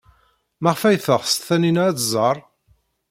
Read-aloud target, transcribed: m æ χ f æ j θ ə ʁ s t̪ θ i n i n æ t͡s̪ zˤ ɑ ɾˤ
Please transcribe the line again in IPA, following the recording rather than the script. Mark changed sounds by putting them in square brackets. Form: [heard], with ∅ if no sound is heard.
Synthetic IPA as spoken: m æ [ʁ] f æ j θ ə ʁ s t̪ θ [æ] n i n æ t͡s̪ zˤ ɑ ɾˤ